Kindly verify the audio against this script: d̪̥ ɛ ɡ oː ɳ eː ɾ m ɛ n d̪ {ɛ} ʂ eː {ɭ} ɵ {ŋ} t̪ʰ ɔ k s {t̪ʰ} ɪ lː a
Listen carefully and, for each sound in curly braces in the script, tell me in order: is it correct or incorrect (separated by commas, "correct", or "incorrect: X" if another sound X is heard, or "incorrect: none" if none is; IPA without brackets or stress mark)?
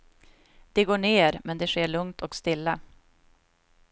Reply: correct, correct, correct, incorrect: t̪